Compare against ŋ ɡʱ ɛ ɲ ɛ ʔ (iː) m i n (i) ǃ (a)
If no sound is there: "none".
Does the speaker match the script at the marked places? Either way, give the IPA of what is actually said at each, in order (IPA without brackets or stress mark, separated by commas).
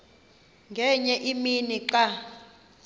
i, i, a